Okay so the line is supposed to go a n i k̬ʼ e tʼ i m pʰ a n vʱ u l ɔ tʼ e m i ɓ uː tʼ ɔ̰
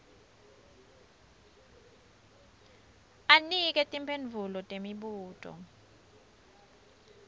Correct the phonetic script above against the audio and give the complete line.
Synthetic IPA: a n i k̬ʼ ɛ tʼ i m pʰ e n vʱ u l ɔ tʼ e m i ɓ uː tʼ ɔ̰